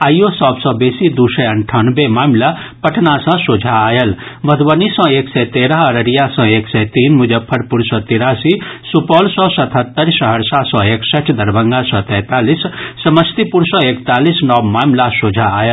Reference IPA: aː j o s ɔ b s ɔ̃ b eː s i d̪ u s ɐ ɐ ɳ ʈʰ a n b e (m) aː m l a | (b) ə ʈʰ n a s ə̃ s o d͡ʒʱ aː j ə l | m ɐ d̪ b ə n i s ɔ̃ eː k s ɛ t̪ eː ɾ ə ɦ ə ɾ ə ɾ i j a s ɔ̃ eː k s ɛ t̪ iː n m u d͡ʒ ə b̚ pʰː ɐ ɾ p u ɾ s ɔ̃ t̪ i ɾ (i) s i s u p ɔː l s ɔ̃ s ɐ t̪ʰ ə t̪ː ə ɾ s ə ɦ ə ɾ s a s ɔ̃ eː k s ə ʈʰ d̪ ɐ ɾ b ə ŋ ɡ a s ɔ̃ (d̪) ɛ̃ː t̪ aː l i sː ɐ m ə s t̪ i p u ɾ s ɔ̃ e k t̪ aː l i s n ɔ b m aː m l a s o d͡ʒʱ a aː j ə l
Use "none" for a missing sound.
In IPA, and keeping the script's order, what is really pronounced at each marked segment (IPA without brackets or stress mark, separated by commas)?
m, p, a, t̪